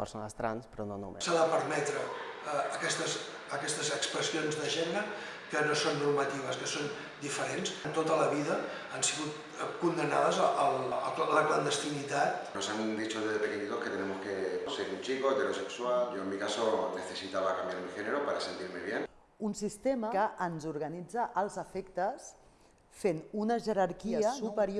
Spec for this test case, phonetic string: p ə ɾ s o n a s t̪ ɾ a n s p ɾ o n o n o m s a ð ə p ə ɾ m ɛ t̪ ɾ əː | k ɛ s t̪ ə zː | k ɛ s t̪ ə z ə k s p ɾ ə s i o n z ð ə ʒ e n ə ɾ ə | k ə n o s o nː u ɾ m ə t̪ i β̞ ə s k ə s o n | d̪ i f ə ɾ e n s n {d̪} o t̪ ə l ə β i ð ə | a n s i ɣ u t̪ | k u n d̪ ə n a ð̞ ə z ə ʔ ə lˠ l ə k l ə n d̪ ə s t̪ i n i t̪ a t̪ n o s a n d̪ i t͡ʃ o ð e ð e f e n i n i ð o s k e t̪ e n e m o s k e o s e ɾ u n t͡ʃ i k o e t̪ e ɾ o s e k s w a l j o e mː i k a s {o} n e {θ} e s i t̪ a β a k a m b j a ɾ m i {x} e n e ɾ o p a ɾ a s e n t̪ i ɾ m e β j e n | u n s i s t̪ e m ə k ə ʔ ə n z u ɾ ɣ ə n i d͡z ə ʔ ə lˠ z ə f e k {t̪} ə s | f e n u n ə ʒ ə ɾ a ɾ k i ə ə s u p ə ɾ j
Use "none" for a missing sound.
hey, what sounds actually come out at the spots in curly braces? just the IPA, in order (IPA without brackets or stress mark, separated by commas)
t̪, o, θ, x, t̪